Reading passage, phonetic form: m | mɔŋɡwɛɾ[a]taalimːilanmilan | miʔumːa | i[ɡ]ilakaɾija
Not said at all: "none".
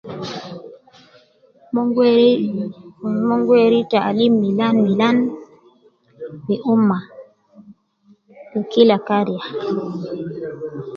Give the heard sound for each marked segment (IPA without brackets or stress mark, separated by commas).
i, k